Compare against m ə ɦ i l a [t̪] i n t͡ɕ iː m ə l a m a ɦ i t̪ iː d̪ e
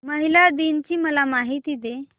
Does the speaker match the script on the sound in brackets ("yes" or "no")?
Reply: no